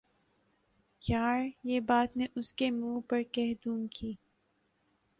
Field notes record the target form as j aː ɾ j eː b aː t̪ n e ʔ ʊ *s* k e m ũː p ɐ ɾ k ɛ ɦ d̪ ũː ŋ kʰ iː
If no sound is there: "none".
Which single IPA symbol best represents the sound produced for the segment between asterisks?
s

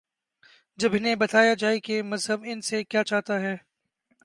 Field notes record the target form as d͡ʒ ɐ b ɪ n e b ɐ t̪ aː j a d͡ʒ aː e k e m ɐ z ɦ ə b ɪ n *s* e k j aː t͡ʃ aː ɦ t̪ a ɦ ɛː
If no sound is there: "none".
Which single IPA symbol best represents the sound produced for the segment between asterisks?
s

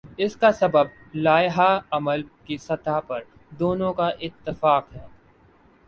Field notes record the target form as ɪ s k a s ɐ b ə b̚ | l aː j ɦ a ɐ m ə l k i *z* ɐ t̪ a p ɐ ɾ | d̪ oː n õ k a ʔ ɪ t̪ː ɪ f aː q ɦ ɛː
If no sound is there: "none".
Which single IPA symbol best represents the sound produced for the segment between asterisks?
s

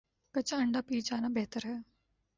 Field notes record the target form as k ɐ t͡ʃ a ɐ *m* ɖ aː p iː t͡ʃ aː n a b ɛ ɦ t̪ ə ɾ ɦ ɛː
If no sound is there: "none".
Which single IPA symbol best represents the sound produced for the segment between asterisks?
ɳ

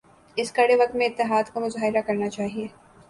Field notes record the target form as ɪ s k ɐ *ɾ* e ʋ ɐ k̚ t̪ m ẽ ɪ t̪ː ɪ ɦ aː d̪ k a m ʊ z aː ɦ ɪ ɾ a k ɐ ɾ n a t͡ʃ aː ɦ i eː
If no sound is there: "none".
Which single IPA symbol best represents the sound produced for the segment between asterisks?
ɽ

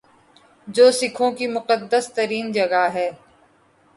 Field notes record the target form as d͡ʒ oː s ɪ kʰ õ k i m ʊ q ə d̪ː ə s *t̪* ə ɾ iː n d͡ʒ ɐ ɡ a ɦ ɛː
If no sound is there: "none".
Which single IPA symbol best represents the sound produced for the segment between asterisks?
t̪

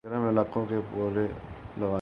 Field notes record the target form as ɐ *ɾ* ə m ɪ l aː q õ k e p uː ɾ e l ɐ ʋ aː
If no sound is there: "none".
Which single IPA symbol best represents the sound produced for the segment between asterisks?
ɾ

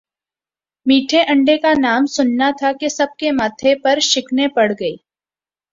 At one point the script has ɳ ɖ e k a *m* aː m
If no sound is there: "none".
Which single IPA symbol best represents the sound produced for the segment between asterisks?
n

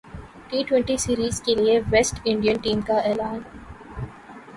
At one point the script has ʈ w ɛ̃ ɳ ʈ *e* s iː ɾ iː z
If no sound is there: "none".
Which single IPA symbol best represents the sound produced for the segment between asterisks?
i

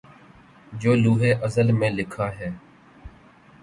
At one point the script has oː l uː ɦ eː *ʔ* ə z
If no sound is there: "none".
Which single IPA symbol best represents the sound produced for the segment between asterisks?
ʔ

